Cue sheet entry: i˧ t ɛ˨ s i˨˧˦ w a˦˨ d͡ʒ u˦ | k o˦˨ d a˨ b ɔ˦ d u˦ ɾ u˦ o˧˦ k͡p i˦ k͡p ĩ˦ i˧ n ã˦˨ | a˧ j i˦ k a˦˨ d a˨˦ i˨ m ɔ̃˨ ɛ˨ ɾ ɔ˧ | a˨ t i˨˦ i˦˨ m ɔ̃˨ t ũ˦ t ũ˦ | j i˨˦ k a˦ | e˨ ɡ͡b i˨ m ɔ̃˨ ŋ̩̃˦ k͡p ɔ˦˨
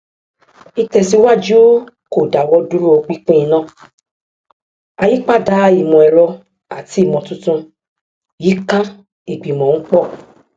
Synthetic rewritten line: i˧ t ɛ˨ s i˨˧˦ w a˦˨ d͡ʒ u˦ | k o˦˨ d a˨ w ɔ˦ d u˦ ɾ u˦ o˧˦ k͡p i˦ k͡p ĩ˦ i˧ n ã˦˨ | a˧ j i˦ k͡p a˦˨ d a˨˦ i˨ m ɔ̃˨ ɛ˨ ɾ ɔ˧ | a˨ t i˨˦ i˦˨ m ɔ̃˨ t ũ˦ t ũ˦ | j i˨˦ k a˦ | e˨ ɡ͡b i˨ m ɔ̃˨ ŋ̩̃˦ k͡p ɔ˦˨